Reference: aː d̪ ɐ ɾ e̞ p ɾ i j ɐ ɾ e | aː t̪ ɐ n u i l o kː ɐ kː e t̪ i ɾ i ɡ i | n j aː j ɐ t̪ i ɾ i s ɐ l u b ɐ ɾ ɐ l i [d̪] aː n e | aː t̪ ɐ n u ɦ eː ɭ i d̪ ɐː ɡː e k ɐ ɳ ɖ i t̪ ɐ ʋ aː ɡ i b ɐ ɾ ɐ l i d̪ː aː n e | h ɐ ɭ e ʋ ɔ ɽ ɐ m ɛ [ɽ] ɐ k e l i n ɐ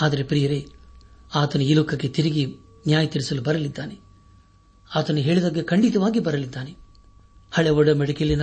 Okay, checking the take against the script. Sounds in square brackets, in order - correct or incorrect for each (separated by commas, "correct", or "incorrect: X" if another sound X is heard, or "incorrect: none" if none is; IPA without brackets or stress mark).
incorrect: d̪ː, correct